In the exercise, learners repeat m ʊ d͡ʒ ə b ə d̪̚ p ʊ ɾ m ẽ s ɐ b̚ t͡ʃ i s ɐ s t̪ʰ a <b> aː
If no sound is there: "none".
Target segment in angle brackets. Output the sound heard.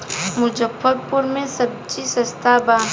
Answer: b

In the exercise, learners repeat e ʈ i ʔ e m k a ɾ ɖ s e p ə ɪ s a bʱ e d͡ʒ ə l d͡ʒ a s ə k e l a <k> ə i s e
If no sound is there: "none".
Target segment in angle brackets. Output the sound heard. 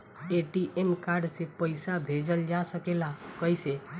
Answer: k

